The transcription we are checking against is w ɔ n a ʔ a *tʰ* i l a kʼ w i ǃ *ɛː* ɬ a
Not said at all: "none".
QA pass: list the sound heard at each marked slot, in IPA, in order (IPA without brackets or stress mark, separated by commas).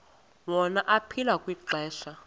pʰ, ɛː